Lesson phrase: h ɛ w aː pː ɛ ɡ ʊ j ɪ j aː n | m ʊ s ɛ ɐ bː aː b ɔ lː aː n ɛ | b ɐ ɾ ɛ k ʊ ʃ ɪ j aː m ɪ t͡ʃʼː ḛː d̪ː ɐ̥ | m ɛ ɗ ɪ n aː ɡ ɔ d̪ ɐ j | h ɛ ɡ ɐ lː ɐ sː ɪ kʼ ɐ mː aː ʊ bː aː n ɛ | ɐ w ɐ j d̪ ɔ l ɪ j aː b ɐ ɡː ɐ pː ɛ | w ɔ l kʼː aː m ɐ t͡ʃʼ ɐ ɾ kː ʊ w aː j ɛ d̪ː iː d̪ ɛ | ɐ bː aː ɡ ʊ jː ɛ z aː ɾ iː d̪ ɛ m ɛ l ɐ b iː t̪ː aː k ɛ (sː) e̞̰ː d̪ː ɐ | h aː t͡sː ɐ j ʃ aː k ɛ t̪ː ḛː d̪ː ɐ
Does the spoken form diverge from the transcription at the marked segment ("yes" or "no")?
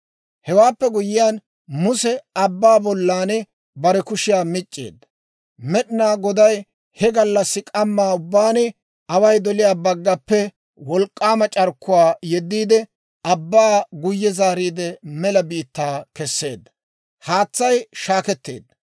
no